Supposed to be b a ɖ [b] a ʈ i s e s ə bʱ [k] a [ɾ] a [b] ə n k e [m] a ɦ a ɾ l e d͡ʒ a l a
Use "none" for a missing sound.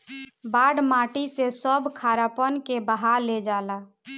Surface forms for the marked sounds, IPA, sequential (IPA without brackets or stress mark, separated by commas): m, kʰ, ɾ, p, b